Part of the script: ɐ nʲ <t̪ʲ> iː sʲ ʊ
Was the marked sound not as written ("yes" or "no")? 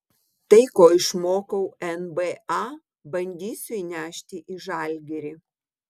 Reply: yes